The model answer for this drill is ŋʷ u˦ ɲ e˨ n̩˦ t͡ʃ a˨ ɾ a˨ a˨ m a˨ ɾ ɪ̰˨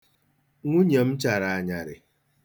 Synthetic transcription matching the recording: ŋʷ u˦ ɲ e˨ m̩˦ t͡ʃ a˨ ɾ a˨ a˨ ɲ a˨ ɾ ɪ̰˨